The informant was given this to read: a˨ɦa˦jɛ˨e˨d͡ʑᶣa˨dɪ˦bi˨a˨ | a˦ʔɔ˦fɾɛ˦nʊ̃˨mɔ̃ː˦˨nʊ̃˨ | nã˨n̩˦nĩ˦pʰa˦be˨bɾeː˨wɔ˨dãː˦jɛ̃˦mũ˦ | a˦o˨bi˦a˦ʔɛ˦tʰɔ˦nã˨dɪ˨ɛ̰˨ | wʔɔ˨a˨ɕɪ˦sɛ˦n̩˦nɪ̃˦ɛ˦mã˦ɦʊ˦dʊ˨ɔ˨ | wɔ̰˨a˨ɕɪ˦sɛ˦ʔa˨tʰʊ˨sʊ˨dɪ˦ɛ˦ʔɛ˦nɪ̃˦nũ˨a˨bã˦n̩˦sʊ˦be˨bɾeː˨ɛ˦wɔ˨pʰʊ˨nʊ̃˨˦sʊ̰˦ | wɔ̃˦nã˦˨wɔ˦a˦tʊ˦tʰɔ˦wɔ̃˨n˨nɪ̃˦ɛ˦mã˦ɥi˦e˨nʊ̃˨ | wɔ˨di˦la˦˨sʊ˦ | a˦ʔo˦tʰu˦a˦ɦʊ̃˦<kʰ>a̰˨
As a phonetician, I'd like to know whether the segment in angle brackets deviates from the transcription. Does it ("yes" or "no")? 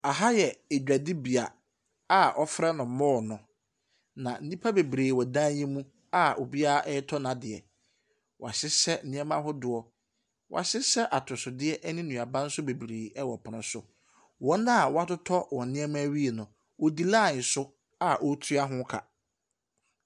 no